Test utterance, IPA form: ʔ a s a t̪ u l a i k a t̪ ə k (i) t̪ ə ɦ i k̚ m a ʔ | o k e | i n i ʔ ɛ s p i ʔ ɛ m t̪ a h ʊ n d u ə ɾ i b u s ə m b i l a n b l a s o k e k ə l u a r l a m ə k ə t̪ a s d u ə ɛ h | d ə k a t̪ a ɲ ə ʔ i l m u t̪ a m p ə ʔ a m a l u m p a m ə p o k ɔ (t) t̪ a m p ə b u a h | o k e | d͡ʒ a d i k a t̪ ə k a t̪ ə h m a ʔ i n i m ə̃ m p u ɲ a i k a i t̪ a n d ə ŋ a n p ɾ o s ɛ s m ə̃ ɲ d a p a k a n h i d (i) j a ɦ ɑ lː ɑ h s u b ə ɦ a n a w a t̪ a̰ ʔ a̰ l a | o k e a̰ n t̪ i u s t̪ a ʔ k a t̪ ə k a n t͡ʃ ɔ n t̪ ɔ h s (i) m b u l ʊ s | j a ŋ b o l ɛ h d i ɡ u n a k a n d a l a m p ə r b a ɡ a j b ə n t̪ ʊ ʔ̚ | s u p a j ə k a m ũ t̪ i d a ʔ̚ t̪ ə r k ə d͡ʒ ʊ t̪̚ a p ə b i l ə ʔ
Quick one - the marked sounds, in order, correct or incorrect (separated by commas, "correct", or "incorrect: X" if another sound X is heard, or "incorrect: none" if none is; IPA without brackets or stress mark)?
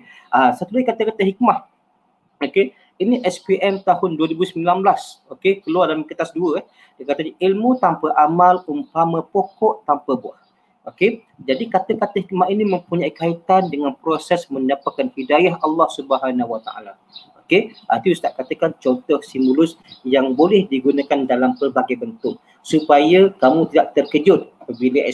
incorrect: a, incorrect: ʔ, incorrect: a, correct